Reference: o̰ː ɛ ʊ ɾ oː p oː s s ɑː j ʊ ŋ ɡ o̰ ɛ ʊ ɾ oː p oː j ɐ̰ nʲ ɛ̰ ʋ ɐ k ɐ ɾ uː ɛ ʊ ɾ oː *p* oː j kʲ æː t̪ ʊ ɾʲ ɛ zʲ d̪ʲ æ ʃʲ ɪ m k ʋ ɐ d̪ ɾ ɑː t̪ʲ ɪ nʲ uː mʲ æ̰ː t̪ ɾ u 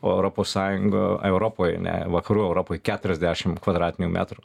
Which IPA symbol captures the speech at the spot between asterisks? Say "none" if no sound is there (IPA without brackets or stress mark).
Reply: p